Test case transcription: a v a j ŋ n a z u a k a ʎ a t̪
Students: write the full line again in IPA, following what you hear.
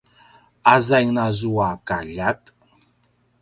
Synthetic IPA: a z a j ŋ n a z u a k a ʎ a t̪